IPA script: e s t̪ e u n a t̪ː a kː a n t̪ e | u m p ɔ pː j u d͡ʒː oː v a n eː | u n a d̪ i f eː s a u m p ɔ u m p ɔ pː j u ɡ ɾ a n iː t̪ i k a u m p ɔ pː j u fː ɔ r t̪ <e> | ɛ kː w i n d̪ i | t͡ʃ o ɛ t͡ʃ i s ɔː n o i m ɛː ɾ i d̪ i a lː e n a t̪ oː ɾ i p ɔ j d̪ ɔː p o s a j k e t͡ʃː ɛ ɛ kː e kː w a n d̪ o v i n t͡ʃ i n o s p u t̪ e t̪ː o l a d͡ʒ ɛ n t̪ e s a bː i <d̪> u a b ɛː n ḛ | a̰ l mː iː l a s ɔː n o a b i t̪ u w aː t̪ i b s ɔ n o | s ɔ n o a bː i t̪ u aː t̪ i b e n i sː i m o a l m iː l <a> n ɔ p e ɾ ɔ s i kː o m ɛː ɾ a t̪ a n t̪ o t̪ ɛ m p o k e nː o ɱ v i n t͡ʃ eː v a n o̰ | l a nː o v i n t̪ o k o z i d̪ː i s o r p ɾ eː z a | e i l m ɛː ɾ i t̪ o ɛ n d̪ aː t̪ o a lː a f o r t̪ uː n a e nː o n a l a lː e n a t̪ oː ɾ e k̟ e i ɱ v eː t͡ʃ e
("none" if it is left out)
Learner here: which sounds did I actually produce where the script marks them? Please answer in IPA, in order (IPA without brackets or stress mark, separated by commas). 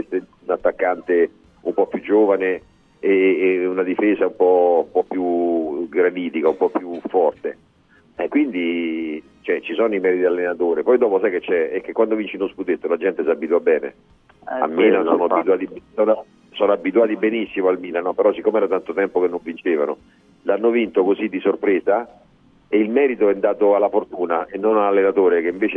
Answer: e, t̪, a